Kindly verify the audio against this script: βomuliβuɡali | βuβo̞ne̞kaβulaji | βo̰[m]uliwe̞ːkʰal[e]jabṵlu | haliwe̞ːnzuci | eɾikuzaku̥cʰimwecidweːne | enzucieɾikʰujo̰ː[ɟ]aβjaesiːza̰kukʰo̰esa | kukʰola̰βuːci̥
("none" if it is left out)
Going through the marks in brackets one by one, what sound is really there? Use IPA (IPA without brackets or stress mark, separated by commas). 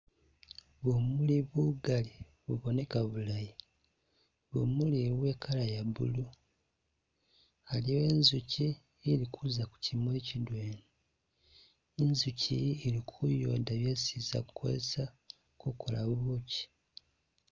m, a, d